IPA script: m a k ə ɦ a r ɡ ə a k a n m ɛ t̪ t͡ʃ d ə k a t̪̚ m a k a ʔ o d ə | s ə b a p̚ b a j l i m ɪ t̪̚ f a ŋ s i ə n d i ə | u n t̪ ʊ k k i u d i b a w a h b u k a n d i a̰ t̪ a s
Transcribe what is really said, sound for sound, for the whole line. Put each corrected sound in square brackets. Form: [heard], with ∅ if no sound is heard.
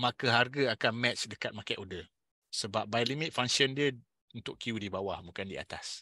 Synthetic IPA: m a k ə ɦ a r ɡ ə a k a n m ɛ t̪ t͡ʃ d ə k a t̪̚ m a k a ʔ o d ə | s ə b a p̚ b a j l i m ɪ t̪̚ f a ŋ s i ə n d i ə | u n t̪ ʊ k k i u d i b a w a h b u k a n d i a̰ t̪ a s